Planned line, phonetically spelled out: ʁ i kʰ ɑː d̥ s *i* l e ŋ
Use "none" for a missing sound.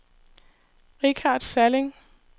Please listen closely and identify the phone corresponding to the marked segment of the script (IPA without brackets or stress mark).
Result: æ